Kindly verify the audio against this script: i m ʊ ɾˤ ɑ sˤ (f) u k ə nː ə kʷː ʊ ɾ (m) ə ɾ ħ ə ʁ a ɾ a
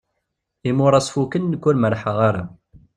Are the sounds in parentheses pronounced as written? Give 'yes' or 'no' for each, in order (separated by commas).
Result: yes, yes